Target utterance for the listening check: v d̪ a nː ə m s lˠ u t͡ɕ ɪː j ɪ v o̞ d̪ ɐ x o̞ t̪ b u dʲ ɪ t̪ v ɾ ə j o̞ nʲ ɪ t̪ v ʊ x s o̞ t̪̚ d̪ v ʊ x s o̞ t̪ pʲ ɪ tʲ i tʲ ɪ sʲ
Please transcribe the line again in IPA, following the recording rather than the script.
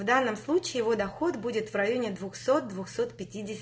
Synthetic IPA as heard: v d̪ a nː ə m s lˠ u t͡ɕ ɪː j ɪ v o̞ d̪ ɐ x o̞ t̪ b u dʲ ɪ t̪ v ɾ ɐ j o̞ nʲ ɪ d̪ v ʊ x s o̞ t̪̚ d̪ v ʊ x s o̞ t̪ pʲ ɪ tʲ i dʲ ɪ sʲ